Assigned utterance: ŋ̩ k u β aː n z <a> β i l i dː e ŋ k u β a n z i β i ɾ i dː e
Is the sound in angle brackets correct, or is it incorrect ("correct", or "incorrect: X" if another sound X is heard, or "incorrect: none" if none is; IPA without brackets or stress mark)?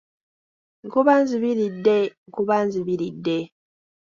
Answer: incorrect: i